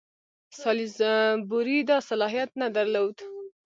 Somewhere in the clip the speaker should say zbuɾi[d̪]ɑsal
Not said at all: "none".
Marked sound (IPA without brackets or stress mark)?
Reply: d̪